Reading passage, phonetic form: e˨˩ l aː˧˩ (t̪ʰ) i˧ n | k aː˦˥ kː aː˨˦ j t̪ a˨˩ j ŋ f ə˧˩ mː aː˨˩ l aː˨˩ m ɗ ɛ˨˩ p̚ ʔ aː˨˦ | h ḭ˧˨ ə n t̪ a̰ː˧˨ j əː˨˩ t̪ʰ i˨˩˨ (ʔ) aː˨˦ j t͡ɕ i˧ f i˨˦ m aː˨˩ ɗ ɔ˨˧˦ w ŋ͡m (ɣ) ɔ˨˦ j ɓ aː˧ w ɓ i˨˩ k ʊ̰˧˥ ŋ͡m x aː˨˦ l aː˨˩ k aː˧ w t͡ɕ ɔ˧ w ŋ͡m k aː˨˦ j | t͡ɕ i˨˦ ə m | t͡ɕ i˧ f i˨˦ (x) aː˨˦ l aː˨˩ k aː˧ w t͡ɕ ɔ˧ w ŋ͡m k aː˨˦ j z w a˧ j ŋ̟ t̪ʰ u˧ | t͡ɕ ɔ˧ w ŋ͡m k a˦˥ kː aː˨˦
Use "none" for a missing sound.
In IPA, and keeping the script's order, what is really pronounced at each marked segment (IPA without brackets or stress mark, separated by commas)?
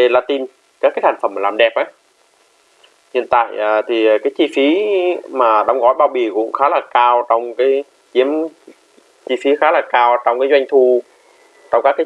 t̪, k, ɣ, x